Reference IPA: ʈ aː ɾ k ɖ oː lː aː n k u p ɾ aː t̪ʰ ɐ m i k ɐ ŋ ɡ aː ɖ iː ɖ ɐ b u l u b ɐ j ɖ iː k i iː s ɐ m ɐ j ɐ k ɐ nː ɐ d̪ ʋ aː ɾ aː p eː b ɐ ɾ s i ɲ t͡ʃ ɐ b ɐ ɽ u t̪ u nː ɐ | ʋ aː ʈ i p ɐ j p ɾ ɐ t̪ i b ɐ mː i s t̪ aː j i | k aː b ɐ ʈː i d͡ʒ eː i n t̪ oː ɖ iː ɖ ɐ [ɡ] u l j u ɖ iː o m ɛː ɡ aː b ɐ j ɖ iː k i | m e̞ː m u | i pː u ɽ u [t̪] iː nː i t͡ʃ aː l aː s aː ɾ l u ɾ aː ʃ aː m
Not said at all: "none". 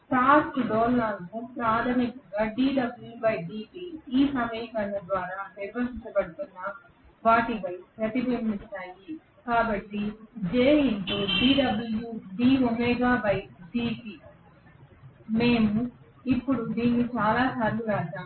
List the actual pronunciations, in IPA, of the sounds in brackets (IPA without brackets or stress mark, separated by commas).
b, d̪